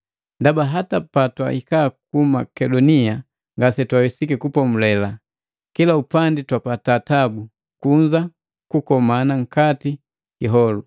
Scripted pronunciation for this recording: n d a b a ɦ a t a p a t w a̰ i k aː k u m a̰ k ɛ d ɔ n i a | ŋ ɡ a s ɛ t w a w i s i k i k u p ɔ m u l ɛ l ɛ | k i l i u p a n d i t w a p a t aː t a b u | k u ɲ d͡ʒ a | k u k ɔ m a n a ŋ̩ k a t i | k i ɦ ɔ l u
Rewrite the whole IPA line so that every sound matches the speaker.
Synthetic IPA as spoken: n d a b a ɦ a t a p a t w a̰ i k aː k u m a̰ k ɛ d ɔ n i a | ŋ ɡ a s ɛ t w a w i s i k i k u p ɔ m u l ɛ l a | k i l a u p a n d i t w a p a t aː t a b u | k u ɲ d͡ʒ a | k u k ɔ m a n a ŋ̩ k a t i | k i ɦ ɔ l u

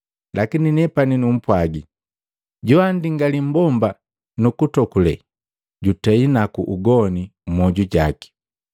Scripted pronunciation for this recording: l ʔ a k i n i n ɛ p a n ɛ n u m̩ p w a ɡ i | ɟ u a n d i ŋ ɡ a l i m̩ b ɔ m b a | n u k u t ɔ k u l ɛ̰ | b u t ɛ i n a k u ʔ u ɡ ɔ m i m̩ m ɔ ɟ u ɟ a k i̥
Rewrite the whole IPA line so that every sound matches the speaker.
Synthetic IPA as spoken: l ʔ a k i n i n ɛ p a n i n u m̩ p w a ɡ i | ɟ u a n d i ŋ ɡ a l i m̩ b ɔ m b a | n u k u t ɔ k u l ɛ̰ | ɟ u t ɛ i n a k u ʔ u ɡ ɔ n i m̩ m ɔ ɟ u ɟ a k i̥

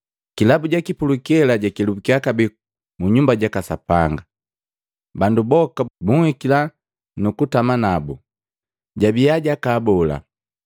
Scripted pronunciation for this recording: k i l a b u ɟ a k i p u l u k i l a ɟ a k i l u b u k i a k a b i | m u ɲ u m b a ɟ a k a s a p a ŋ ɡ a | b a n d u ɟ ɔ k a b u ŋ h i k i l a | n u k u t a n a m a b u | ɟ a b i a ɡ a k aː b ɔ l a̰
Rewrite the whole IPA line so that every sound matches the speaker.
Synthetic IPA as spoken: k i l a b u ɟ a k i p u l u k ɛ l a ɟ a k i l u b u k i a k a b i | m u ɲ u m b a ɟ a k a s a p a ŋ ɡ a | b a n d u b ɔ k a b u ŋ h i k i l a | n u k u t a m a n a b u | ɟ a b i a ɟ a k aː b ɔ l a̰

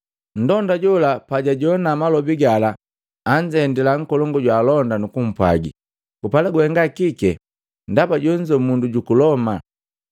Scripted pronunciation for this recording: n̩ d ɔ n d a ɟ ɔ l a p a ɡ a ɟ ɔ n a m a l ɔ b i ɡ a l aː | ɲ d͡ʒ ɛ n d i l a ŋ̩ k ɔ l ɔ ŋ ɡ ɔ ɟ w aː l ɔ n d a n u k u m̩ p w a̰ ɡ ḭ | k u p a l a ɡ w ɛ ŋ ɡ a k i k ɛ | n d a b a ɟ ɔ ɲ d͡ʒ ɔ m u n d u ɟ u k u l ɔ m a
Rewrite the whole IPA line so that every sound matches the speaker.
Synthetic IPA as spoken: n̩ d ɔ n d a ɟ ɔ l a p a ɟ a ɟ ɔ n a m a l ɔ b i ɡ a l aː | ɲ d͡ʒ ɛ n d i l a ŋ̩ k ɔ l ɔ ŋ ɡ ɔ ɟ w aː l ɔ n d a n u k u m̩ p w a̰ ɡ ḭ | k u p a l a ɡ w ɛ ŋ ɡ a k i k ɛ | n d a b a ɟ ɔ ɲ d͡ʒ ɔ m u n d u ɟ u k u l ɔ m a

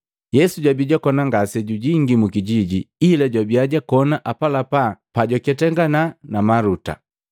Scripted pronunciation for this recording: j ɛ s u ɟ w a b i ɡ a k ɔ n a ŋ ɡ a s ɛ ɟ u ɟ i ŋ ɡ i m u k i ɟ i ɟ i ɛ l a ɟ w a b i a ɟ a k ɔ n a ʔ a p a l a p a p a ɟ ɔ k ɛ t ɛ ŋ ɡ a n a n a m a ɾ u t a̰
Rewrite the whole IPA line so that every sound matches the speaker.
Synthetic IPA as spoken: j ɛ s u ɟ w a b i ɟ a k ɔ n a ŋ ɡ a s ɛ ɟ u ɟ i ŋ ɡ i m u k i ɟ i ɟ i i l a ɟ w a b i a ɟ a k ɔ n a ʔ a p a l a p a p a ɟ ɔ k ɛ t ɛ ŋ ɡ a n a n a m a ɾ u t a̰

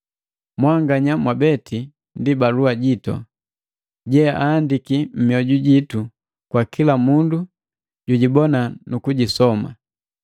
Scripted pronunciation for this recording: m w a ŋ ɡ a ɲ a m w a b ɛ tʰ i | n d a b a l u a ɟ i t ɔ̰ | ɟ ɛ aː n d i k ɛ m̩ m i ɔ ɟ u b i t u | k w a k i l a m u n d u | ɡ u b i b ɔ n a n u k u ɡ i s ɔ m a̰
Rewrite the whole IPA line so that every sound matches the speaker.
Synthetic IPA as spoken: m w a ŋ ɡ a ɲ a m w a b ɛ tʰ i | n d i b a l u a ɟ i t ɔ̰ | ɟ ɛ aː n d i k i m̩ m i ɔ ɟ u ɟ i t u | k w a k i l a m u n d u | ɟ u ɟ i b ɔ n a n u k u ɟ i s ɔ m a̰

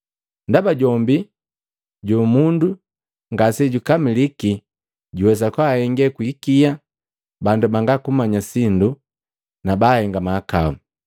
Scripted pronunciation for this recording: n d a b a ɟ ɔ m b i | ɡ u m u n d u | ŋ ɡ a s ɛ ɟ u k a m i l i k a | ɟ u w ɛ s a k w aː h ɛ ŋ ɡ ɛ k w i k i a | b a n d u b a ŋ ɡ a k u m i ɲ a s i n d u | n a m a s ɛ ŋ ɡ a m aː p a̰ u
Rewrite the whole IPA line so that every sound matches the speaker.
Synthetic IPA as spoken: n d a b a ɟ ɔ m b i | ɟ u m u n d u | ŋ ɡ a s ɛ ɟ u k a m i l i k i | ɟ u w ɛ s a k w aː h ɛ ŋ ɡ ɛ k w i k i a | b a n d u b a ŋ ɡ a k u m a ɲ a s i n d u | n a b a h ɛ ŋ ɡ a m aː k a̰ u

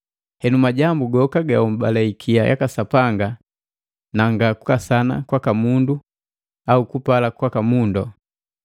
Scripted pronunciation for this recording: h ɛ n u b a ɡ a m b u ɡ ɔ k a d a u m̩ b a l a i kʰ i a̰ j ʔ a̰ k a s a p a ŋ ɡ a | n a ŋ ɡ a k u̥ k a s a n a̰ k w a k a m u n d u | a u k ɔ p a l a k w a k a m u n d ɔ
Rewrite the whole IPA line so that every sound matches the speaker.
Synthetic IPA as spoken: h ɛ n u m a ɟ a m b u ɡ ɔ k a ɡ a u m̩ b a l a i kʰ i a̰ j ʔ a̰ k a s a p a ŋ ɡ a | n a ŋ ɡ a k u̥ k a s a n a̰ k w a k a m u n d u | a u k u p a l a k w a k a m u n d ɔ

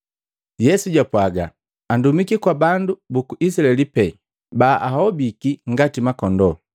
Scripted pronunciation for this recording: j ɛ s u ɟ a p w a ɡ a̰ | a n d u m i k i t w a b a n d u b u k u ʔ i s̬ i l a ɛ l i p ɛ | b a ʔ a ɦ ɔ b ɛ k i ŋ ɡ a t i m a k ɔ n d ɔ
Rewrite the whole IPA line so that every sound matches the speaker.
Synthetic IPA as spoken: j ɛ s u ɟ a p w a ɡ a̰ | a n d u m i k i k w a b a n d u b u k u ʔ i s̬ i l a ɛ l i p ɛ | b a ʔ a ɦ ɔ b i k i ŋ ɡ a t i m a k ɔ n d ɔ

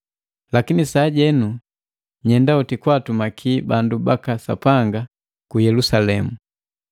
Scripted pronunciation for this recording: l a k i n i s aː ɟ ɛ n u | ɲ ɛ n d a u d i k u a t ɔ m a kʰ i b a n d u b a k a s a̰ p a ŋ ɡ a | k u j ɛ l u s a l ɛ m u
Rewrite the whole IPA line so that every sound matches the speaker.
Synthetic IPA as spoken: l a k i n i s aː ɟ ɛ n u | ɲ ɛ n d a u t i k w a t u m a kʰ i b a n d u b a k a s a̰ p a ŋ ɡ a | k u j ɛ l u s a l ɛ m u

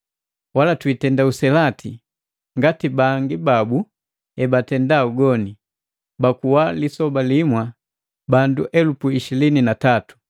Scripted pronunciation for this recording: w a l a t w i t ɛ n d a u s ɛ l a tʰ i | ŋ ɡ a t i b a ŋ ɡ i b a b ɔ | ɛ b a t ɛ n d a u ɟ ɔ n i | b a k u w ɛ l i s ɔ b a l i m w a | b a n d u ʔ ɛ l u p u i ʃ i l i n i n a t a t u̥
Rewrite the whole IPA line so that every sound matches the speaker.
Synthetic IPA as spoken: w a l a t w i t ɛ n d a u s ɛ l a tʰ i | ŋ ɡ a t i b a ŋ ɡ i b a b u | ɛ b a t ɛ n d a u ɡ ɔ n i | b a k u w a l i s ɔ b a l i m w a | b a n d u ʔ ɛ l u p u i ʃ i l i n i n a t a t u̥

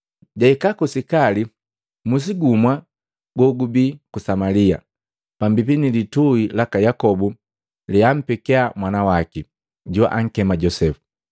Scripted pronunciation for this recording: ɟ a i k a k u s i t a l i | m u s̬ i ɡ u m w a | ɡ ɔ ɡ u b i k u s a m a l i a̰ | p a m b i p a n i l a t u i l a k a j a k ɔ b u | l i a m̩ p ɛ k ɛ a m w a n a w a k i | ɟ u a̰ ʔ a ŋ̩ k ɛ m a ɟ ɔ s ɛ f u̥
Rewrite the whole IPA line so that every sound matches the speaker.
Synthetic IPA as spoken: ɟ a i k a k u s i k a l i | m u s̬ i ɡ u m w a | ɡ ɔ ɡ u b i k u s a m a l i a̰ | p a m b i p i n i l i t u i l a k a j a k ɔ b u | l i a m̩ p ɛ k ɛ a m w a n a w a k i | ɟ u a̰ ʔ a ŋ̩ k ɛ m a ɟ ɔ s ɛ f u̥

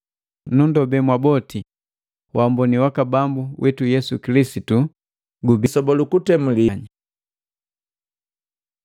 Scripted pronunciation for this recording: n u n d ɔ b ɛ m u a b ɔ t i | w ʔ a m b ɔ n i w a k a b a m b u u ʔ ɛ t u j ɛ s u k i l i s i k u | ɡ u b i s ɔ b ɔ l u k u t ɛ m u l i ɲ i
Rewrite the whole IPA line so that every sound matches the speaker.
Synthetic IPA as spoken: n u n d ɔ b ɛ m w a b ɔ t i | w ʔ a m b ɔ n i w a k a b a m b u w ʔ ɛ t u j ɛ s u k i l i s i t u | ɡ u b i s ɔ b ɔ l u k u t ɛ m u l i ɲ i

